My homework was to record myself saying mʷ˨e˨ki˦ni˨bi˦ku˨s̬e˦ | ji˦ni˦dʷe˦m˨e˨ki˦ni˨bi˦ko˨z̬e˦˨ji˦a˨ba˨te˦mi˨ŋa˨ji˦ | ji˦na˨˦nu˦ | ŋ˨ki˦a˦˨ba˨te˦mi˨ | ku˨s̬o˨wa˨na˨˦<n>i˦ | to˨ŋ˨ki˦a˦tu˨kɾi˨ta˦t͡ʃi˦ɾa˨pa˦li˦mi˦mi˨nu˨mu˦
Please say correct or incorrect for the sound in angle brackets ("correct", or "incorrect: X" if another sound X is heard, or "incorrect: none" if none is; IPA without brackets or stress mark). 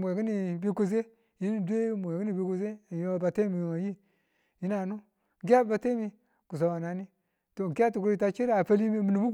correct